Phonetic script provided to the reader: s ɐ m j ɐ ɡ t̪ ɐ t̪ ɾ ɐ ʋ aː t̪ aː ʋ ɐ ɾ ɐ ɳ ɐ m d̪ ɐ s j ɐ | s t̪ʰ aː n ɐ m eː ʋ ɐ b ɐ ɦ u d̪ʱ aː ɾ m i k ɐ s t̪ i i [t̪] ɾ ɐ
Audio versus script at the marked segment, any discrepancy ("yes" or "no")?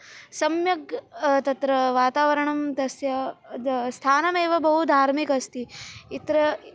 no